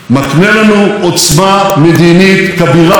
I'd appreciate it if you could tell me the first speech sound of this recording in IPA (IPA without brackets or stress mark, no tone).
m